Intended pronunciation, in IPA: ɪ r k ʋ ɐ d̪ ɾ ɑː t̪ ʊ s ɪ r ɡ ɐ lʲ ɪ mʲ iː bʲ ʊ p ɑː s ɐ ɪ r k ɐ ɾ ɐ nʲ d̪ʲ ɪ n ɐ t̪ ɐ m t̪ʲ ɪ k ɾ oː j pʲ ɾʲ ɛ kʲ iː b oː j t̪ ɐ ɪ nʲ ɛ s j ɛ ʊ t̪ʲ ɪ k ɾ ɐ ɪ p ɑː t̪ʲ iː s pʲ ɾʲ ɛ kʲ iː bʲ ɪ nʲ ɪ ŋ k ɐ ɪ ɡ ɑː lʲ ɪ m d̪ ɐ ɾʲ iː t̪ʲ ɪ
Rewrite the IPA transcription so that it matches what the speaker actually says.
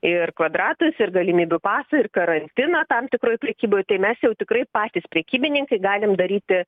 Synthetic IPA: ɪ r k ʋ ɐ d̪ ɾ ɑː t̪ ʊ s ɪ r ɡ ɐ lʲ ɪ mʲ iː bʲ ʊ p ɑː s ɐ ɪ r k ɐ ɾ ɐ nʲ t̪ʲ ɪ n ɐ t̪ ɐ m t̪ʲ ɪ k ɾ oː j pʲ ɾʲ ɛ kʲ iː b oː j t̪ ɐ ɪ mʲ ɛ s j ɛ ʊ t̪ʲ ɪ k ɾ ɐ ɪ p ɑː t̪ʲ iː s pʲ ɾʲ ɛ kʲ iː bʲ ɪ nʲ ɪ ŋ k ɐ ɪ ɡ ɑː lʲ ɪ m d̪ ɐ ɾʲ iː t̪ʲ ɪ